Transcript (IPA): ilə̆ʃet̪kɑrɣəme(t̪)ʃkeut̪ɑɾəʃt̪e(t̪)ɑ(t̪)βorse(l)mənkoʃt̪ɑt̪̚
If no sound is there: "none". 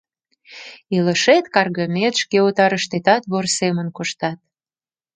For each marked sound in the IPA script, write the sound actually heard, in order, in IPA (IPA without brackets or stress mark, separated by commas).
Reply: t̪, t̪, t̪, none